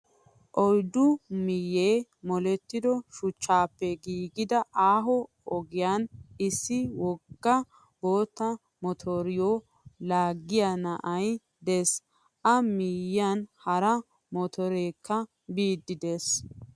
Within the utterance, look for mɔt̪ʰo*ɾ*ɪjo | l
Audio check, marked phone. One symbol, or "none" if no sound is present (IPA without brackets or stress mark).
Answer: ɾ